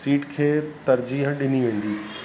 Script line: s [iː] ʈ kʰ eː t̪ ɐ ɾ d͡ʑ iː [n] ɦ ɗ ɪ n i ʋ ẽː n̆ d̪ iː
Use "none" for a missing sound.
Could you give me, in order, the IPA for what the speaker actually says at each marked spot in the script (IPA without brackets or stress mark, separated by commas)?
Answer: iː, none